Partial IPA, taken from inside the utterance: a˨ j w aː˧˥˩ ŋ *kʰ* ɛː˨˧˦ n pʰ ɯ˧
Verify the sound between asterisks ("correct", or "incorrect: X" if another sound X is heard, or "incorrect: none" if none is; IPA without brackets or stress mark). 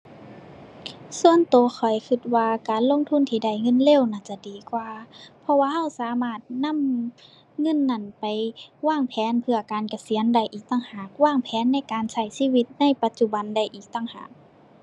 incorrect: pʰ